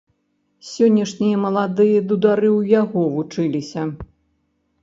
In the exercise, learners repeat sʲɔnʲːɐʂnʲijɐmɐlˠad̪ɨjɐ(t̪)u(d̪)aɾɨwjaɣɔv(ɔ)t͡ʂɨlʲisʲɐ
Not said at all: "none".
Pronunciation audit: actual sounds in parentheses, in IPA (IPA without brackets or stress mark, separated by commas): d̪, d̪, u